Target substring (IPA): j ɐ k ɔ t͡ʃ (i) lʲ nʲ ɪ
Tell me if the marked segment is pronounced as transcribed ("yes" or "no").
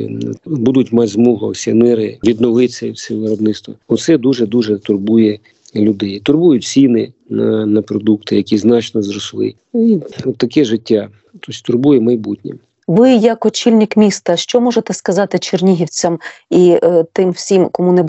yes